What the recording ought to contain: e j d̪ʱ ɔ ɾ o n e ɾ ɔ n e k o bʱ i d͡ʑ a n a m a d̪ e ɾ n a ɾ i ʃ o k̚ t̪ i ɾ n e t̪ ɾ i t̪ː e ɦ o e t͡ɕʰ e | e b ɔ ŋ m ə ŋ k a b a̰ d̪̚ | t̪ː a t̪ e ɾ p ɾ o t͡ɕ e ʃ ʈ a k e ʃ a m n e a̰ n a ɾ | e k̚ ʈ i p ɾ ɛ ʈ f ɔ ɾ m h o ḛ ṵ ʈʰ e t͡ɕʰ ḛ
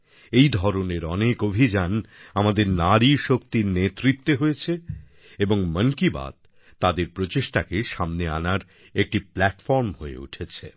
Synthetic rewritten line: e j d̪ʱ ɔ ɾ o n e ɾ ɔ n e k o bʱ i d͡ʑ a n a m a d̪ e ɾ n a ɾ i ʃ o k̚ t̪ i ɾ n e t̪ ɾ i t̪ː e ɦ o e t͡ɕʰ e | e b o ŋ m ə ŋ k i b a̰ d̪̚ | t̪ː a d̪ e ɾ p ɾ o t͡ɕ e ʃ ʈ a k e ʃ a m n e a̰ n a ɾ | e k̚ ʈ i p l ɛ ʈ f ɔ ɾ m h o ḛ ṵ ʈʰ e t͡ɕʰ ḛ

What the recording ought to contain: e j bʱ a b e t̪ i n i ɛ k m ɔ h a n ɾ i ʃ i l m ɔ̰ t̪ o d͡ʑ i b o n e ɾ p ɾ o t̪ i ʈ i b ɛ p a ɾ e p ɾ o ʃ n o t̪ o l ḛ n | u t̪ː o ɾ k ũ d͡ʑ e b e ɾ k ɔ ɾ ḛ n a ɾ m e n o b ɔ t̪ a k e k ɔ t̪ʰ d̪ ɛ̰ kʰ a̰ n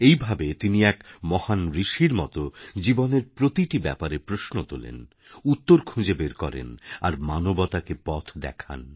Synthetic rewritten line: e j bʱ a b e t̪ i n i ɛ k m ɔ h a n ɾ i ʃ i ɾ m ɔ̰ t̪ o d͡ʑ i b o n e ɾ p ɾ o t̪ i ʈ i b ɛ p a ɾ e p ɾ o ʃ n o t̪ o l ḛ n | u t̪ː o ɾ kʰ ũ d͡ʑ e b e ɾ k ɔ ɾ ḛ n a ɾ m a n o b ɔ t̪ a k e p ɔ t̪ʰ d̪ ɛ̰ kʰ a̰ n

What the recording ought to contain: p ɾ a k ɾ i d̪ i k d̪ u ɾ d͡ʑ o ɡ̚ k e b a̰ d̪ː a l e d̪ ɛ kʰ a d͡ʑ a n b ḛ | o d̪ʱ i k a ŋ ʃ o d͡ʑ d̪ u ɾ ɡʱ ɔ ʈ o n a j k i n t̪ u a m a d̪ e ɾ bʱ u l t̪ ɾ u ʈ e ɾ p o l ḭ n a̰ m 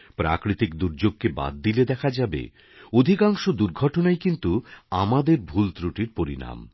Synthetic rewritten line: p ɾ a k ɾ i t̪ i k d̪ u ɾ d͡ʑ o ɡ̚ k e b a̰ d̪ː i l e d̪ ɛ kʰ a d͡ʑ a b ḛ | o d̪ʱ i k a ŋ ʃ o d̪ u ɾ ɡʱ ɔ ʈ o n a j k i n t̪ u a m a d̪ e ɾ bʱ u l t̪ ɾ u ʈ i ɾ p o ɾ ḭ n a̰ m

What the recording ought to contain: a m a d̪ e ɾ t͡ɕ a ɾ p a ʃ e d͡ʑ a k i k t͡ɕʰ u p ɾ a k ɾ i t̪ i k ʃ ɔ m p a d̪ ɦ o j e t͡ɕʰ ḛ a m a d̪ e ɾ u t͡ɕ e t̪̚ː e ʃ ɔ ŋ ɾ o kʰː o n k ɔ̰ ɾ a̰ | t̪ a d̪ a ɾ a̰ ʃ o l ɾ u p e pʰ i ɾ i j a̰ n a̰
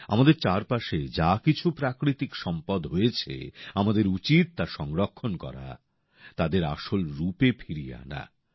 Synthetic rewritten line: a m a d̪ e ɾ t͡ɕ a ɾ p a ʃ e d͡ʑ a k i t͡ɕʰ u p ɾ a k ɾ i t̪ i k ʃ ɔ m p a d̪ ɦ o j e t͡ɕʰ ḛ a m a d̪ e ɾ u t͡ɕ i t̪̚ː a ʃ ɔ ŋ ɾ o kʰː o n k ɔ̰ ɾ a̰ | t̪ a d̪ e ɾ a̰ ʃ o l ɾ u p e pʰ i ɾ i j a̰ n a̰

